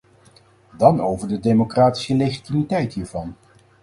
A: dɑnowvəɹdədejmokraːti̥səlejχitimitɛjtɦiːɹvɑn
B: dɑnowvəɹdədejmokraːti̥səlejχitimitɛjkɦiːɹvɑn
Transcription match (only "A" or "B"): A